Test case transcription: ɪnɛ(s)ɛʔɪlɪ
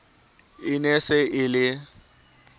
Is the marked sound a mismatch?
no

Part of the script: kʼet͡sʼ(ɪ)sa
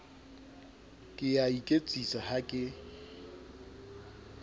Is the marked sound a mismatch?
yes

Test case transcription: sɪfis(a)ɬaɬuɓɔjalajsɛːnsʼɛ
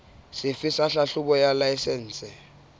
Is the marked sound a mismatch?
no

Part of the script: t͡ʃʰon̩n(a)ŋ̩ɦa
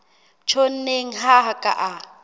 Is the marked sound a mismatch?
yes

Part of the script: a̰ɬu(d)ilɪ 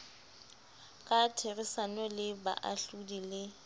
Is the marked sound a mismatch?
no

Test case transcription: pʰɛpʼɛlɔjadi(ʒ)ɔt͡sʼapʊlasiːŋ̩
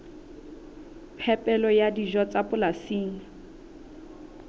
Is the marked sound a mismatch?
no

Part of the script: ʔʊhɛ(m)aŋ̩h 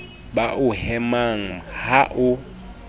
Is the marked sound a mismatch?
no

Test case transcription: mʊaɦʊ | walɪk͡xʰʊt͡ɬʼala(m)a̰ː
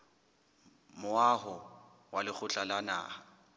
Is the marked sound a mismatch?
yes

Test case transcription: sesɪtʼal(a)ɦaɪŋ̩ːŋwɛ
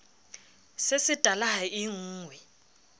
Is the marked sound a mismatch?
no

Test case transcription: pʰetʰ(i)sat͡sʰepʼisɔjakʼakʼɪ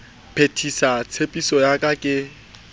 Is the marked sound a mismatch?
no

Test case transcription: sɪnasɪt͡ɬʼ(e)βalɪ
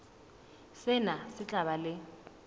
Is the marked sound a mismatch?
yes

